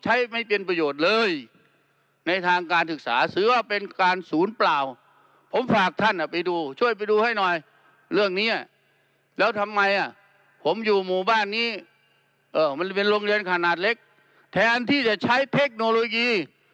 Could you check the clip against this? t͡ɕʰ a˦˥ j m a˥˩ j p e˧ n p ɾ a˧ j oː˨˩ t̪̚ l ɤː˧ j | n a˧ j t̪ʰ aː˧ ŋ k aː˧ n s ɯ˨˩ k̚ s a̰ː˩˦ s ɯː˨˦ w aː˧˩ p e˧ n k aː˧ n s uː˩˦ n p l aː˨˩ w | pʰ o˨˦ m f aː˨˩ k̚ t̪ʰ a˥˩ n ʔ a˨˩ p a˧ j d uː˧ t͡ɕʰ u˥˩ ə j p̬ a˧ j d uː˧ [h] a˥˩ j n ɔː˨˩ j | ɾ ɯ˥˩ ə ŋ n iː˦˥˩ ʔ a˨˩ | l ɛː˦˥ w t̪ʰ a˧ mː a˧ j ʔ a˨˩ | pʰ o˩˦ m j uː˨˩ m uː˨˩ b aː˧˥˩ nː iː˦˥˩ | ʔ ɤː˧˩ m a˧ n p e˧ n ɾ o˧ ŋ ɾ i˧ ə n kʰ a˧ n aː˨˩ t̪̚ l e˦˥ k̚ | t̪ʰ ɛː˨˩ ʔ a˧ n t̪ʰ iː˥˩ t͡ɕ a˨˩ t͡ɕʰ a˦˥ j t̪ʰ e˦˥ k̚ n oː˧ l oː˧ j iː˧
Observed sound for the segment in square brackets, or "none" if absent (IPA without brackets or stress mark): h